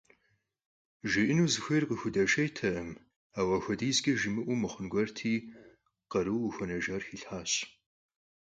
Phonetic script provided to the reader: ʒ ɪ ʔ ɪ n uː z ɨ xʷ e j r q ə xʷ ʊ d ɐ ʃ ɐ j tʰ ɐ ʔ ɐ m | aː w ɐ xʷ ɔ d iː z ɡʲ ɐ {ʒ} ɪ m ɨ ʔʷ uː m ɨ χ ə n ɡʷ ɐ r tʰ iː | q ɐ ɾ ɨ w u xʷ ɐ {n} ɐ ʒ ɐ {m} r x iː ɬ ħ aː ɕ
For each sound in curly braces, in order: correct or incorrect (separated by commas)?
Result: correct, correct, incorrect